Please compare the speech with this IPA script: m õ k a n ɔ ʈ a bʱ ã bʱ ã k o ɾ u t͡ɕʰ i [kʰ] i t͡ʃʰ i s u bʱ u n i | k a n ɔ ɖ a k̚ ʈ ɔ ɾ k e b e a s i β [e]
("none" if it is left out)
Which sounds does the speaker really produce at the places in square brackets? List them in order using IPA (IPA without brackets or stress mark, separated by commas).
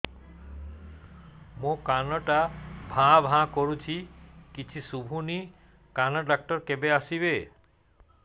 k, e